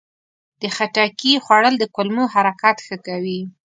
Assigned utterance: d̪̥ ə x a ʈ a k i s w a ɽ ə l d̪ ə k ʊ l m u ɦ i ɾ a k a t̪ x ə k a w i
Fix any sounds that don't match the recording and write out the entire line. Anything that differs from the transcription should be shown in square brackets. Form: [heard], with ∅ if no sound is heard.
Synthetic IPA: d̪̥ ə x a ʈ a k i [x] w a ɽ ə l d̪ ə k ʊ l m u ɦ [a] ɾ a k a t̪ x ə k a w i